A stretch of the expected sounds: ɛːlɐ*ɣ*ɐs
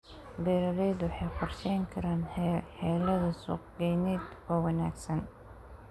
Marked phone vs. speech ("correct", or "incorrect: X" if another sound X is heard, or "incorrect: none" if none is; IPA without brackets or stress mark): incorrect: ð